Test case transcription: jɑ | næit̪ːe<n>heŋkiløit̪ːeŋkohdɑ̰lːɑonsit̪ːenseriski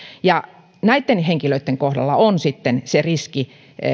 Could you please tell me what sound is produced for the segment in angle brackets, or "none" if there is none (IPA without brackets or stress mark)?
n